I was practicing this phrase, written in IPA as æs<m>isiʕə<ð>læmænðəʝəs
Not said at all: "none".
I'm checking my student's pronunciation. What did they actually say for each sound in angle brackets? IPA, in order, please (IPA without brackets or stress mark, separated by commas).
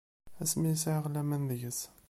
m, ʁ